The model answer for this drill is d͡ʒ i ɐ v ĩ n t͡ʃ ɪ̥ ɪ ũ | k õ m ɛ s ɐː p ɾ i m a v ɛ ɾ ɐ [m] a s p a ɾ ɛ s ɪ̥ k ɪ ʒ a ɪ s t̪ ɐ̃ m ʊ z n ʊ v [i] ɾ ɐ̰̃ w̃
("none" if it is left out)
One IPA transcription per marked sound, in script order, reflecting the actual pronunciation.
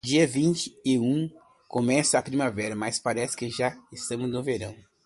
m, e

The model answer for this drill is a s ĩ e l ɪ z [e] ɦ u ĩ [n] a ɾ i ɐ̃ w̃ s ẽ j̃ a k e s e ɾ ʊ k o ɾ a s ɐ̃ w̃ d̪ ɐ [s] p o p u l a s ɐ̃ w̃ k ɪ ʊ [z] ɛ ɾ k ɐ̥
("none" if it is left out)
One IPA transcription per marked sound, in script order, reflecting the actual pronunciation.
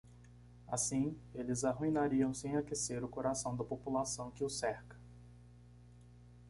a, n, none, s

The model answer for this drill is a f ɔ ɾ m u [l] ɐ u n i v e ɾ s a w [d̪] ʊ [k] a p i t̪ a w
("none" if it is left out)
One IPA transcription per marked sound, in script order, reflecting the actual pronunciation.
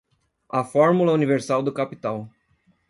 l, d̪, k

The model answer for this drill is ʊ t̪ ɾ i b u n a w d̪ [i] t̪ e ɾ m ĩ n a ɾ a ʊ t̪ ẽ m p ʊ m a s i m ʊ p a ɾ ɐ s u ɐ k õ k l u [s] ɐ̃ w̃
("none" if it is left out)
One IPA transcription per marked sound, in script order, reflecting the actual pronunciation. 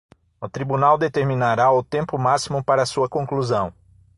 e, z

